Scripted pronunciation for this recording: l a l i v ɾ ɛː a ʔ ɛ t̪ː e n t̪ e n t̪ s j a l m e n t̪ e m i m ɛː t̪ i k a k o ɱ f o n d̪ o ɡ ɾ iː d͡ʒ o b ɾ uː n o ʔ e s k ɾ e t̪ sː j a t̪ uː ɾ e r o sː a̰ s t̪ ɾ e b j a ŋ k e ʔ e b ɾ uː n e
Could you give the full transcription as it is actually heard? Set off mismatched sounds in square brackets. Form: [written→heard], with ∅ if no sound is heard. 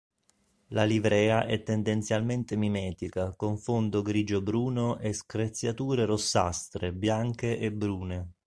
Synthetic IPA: l a l i v ɾ ɛː a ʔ ɛ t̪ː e n [t̪→d̪] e n t̪ s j a l m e n t̪ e m i m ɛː t̪ i k a k o ɱ f o n d̪ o ɡ ɾ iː d͡ʒ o b ɾ uː n o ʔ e s k ɾ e t̪ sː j a t̪ uː ɾ e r o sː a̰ s t̪ ɾ e b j a ŋ k e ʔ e b ɾ uː n e

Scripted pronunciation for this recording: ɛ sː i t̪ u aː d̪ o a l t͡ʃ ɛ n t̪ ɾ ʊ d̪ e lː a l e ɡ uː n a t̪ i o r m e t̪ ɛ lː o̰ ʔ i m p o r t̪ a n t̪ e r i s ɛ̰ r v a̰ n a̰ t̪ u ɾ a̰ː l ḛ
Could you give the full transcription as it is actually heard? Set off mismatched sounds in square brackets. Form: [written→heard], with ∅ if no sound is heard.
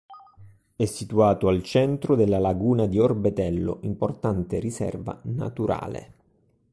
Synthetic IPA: ɛ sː i t̪ u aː [d̪→t̪] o a l t͡ʃ ɛ n t̪ ɾ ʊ d̪ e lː a l [e→a] ɡ uː n a [t̪→d̪] i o r [m→b] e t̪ ɛ lː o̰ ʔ i m p o r t̪ a n t̪ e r i s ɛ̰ r v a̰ n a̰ t̪ u ɾ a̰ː l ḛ

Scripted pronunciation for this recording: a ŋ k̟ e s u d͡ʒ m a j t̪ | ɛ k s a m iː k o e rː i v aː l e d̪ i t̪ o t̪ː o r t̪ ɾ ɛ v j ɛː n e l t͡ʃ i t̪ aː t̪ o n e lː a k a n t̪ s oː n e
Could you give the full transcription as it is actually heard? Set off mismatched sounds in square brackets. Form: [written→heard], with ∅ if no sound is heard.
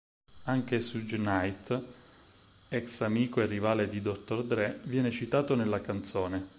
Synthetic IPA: a ŋ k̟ e s u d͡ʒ [m→n] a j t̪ | ɛ k s a m iː k o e rː i v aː l e d̪ i [t̪→d̪] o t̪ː o r [t̪→d̪] ɾ ɛ v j ɛː n e [l→∅] t͡ʃ i t̪ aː t̪ o n e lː a k a n t̪ s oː n e

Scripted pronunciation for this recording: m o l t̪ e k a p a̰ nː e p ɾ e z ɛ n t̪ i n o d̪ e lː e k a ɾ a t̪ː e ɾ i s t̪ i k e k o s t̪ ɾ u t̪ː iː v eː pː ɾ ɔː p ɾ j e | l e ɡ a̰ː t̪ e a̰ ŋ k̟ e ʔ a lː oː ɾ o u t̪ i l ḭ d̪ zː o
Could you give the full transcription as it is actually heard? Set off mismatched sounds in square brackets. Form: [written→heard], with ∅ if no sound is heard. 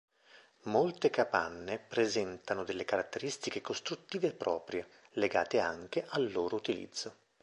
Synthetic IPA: m o l t̪ e k a p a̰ nː e p ɾ e z ɛ n t̪ [i→a] n o d̪ e lː e k a ɾ a t̪ː e ɾ i s t̪ i k e k o s t̪ ɾ u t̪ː iː v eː pː ɾ ɔː p ɾ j e | l e ɡ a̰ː t̪ e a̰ ŋ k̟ e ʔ a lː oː ɾ o u t̪ i l ḭ d̪ zː o

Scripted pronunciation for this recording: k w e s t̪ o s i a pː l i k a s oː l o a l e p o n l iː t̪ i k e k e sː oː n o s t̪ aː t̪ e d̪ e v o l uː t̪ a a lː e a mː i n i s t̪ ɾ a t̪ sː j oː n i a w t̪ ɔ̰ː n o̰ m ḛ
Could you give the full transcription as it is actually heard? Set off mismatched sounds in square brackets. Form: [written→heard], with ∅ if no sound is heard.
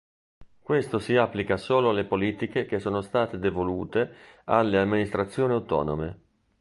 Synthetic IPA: k w e s t̪ o s i a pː l i k a s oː l o a l e p o [n→∅] l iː t̪ i k e k e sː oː n o s t̪ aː t̪ e d̪ e v o l uː t̪ [a→e] a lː e a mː i n i s t̪ ɾ a t̪ sː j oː n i a w t̪ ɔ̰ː n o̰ m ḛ

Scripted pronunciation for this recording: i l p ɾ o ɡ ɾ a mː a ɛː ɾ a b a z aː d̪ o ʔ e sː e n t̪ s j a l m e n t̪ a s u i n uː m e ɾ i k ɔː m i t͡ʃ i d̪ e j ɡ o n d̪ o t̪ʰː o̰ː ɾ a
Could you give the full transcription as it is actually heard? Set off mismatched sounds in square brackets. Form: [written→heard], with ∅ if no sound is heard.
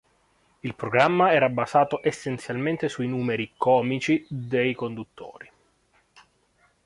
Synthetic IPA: i l p ɾ o ɡ ɾ a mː a ɛː ɾ a b a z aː [d̪→t̪] o ʔ e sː e n t̪ s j a l m e n t̪ [a→e] s u i n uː m e ɾ i k ɔː m i t͡ʃ i d̪ e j [ɡ→k] o n d̪ [o→u] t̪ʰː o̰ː ɾ [a→i]

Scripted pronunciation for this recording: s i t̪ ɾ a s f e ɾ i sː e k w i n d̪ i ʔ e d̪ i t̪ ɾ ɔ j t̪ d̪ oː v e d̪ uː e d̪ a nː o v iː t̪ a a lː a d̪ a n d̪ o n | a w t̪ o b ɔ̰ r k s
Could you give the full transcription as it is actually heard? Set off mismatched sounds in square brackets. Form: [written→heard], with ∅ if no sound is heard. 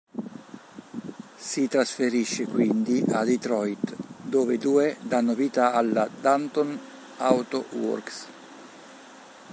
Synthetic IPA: s i t̪ ɾ a s f e ɾ i [sː→ʃː] e k w i n d̪ i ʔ [e→a] d̪ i t̪ ɾ ɔ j t̪ d̪ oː v e d̪ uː e d̪ a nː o v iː t̪ a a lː a d̪ a n [d̪→t̪] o n | a w t̪ o [b→w] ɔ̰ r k s

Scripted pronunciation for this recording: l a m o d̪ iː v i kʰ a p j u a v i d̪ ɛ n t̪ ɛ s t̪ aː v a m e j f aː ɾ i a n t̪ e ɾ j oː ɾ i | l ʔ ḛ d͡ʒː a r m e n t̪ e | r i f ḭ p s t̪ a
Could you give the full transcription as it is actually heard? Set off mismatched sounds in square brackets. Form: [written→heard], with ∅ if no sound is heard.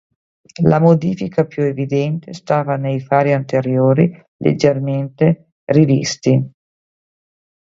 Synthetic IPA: l a m o d̪ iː [v→f] i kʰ a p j u [a→e] v i d̪ ɛ n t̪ [ɛ→e] s t̪ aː v a [m→n] e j f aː ɾ i a n t̪ e ɾ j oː ɾ i | l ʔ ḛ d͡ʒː [a→e] r m e n t̪ e | r i [f→v] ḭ [p→∅] s t̪ [a→i]

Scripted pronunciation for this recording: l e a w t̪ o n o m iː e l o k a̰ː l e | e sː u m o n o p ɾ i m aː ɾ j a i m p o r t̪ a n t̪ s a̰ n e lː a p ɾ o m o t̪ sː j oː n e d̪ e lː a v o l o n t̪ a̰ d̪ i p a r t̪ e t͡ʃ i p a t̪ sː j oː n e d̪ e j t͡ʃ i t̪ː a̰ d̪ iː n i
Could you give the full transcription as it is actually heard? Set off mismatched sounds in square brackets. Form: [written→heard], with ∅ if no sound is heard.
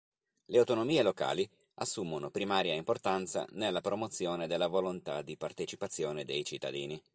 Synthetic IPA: l e a w t̪ o n o m iː e l o k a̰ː l [e→i] | [e→a] sː u m o n o p ɾ i m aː ɾ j a i m p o r t̪ a n t̪ s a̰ n e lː a p ɾ o m o t̪ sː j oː n e d̪ e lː a v o l o n t̪ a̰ d̪ i p a r t̪ e t͡ʃ i p a t̪ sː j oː n e d̪ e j t͡ʃ i t̪ː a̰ d̪ iː n i

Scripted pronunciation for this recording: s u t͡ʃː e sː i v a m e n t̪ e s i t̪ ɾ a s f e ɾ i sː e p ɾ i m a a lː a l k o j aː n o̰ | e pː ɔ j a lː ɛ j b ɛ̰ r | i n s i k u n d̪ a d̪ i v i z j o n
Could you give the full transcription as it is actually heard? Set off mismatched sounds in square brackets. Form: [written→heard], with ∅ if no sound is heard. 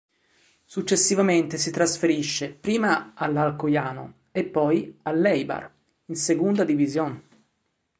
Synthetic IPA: s u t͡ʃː e sː i v a m e n t̪ e s i t̪ ɾ a s f e ɾ i [sː→ʃː] e p ɾ [i→iː] m a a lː a l k o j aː n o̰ | e pː ɔ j a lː ɛ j b [ɛ̰→a̰] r | i n s [i→e] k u n d̪ a d̪ i v i z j o n

